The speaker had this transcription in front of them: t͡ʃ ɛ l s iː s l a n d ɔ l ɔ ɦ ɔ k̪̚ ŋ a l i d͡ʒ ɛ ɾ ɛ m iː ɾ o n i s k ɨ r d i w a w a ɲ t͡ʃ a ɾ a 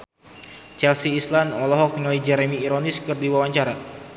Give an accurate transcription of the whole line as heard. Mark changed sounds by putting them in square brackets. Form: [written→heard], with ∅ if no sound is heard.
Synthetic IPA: t͡ʃ ɛ l s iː s l a n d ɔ l ɔ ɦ ɔ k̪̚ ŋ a l i d͡ʒ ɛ ɾ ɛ m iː ɾ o n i s k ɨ r d i w a w a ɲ t͡ʃ a ɾ a